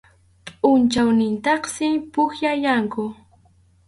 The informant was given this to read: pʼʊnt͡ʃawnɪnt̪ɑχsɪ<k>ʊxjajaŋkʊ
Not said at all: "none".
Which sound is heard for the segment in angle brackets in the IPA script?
p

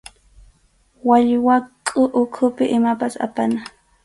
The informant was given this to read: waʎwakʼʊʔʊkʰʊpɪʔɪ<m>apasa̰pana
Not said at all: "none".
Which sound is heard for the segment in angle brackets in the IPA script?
m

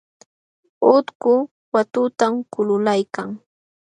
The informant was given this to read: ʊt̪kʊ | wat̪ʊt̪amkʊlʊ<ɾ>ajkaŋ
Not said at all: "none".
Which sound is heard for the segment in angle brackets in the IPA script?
l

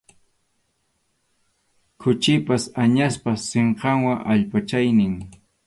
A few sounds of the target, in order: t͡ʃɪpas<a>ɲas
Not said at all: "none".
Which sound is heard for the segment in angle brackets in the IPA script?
a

